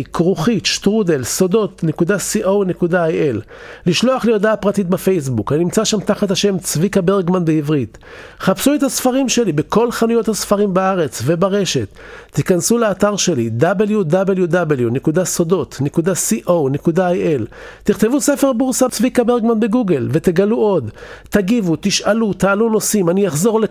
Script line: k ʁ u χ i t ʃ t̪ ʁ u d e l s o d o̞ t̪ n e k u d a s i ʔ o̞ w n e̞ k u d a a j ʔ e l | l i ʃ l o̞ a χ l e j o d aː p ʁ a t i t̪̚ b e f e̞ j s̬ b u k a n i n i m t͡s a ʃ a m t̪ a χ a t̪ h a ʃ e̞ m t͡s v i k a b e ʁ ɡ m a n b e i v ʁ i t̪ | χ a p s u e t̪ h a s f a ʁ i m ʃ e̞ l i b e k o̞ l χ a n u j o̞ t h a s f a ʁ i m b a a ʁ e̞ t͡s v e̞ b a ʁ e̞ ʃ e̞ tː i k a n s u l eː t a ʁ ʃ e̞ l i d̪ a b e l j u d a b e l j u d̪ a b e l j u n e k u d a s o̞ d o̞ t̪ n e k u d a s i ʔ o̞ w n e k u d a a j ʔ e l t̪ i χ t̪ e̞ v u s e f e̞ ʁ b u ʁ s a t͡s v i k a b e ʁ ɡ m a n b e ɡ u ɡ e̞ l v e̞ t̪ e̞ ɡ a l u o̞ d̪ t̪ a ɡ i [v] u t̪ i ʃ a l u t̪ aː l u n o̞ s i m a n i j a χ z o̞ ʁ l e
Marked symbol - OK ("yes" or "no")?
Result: yes